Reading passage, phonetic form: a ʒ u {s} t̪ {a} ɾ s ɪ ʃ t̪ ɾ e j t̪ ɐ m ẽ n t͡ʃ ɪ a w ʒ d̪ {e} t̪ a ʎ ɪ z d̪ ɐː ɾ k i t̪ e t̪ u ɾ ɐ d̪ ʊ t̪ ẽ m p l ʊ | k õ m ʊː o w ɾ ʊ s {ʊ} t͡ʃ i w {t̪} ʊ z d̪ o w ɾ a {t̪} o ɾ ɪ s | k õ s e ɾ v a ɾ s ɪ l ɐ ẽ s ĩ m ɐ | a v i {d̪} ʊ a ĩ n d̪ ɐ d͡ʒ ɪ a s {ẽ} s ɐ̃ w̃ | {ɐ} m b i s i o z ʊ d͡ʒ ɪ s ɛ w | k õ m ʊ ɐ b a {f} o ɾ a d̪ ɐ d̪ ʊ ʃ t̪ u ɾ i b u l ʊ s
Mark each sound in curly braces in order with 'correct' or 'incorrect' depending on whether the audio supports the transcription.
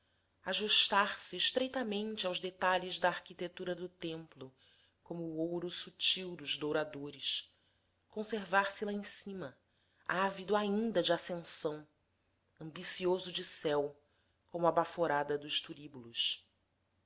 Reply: incorrect: ʃ, correct, correct, incorrect: u, incorrect: d̪, incorrect: d̪, correct, correct, incorrect: ɐ̃, correct

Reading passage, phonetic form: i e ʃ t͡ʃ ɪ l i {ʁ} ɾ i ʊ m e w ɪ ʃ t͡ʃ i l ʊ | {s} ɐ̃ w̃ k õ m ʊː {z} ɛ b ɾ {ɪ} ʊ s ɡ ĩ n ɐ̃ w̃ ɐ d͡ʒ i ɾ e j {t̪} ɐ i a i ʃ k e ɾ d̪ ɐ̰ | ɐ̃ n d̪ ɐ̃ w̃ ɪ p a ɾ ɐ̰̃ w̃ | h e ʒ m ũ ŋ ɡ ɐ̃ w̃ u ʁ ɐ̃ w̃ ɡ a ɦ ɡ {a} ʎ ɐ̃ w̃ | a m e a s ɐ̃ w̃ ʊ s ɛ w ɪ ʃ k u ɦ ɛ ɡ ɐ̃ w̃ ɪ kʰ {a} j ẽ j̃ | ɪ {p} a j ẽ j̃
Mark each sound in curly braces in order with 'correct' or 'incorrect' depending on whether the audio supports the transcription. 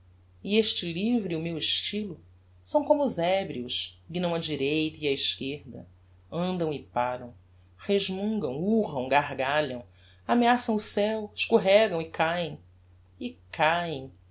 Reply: incorrect: v, correct, correct, incorrect: i, correct, correct, correct, incorrect: k

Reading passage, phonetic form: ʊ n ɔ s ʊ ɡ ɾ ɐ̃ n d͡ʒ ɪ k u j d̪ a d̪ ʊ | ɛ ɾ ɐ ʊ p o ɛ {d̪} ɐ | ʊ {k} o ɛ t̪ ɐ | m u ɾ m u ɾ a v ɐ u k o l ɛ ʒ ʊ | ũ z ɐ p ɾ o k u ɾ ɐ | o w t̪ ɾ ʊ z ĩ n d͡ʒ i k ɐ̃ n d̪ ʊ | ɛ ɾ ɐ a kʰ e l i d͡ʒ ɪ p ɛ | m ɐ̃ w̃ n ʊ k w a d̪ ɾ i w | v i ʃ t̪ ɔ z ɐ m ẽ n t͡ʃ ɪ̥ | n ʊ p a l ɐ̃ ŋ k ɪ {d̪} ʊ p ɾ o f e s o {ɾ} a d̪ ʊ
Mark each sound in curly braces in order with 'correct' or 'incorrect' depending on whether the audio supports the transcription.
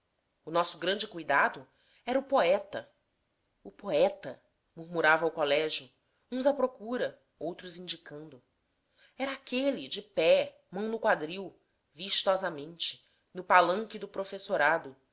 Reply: incorrect: t̪, incorrect: p, correct, correct

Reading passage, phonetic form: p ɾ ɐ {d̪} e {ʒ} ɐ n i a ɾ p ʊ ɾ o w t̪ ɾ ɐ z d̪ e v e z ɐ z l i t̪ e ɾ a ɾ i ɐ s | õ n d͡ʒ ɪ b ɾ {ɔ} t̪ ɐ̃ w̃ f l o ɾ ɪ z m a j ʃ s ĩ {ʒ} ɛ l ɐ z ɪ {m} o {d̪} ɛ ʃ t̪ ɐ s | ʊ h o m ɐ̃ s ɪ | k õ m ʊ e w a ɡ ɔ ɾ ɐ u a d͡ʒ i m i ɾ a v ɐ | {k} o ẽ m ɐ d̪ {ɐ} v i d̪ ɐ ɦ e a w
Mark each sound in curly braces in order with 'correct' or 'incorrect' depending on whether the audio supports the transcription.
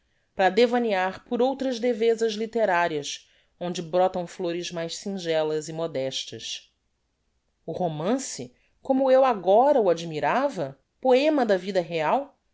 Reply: correct, incorrect: v, correct, correct, correct, correct, incorrect: p, correct

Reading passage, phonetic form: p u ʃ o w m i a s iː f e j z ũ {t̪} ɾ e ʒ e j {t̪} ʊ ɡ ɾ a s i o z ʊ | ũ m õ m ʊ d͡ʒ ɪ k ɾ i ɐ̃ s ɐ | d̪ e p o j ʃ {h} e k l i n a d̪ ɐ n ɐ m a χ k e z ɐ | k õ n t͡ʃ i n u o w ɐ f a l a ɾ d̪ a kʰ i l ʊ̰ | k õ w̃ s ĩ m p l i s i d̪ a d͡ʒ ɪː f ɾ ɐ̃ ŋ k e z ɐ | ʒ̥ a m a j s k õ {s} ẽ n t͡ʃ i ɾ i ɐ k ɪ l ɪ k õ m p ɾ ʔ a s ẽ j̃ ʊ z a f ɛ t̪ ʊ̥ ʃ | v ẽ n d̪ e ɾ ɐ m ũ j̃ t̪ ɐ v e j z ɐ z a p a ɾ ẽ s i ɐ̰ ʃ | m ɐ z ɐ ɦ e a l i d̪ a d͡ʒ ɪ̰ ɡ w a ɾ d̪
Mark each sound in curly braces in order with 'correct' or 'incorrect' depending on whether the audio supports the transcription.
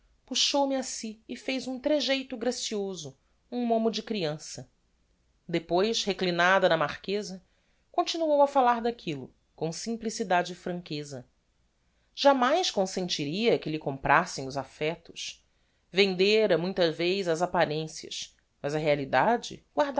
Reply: correct, correct, correct, correct

